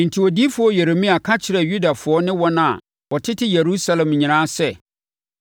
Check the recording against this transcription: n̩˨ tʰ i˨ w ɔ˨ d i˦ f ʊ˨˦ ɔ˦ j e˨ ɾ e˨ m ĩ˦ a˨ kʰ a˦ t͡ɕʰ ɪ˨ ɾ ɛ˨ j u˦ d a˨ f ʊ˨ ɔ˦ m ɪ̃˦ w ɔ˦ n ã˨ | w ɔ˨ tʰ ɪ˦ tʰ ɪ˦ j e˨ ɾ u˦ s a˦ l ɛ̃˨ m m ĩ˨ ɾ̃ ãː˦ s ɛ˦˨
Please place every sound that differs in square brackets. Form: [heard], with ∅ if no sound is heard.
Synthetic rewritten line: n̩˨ tʰ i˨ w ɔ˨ d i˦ f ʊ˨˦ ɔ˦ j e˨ ɾ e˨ m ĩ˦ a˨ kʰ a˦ t͡ɕʰ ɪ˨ ɾ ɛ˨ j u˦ d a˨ f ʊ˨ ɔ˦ [n] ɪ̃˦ w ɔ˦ n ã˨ | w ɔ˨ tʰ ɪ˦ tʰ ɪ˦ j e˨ ɾ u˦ s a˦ l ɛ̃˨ m [ɲ] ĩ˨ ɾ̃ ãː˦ s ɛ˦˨